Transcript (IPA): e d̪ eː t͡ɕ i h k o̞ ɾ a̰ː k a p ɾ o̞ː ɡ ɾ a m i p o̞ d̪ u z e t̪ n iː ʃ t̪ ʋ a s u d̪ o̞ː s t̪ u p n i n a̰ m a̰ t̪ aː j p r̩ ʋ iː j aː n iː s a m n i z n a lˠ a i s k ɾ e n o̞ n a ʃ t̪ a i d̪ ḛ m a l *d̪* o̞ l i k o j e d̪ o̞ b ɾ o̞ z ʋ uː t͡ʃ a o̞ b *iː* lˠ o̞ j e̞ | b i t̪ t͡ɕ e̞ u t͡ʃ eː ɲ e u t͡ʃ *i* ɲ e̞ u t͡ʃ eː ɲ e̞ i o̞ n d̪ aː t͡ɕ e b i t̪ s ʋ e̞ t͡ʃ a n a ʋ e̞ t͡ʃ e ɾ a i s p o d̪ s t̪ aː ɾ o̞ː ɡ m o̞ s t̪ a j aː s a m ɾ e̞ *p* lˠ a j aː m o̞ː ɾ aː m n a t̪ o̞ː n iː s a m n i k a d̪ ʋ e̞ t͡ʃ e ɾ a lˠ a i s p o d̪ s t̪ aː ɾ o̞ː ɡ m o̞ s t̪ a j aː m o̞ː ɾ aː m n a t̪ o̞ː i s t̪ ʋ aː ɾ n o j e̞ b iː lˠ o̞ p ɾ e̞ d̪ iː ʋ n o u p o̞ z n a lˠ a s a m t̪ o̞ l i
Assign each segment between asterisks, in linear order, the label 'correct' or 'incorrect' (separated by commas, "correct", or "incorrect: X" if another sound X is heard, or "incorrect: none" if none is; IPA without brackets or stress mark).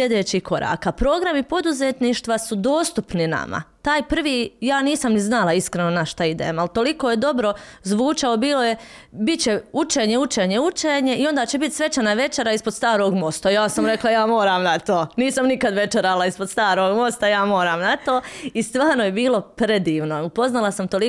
incorrect: t̪, correct, incorrect: e, incorrect: k